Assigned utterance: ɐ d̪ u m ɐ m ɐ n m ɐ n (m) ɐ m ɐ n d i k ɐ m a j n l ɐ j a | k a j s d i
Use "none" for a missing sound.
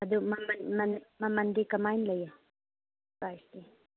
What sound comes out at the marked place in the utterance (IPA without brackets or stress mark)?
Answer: m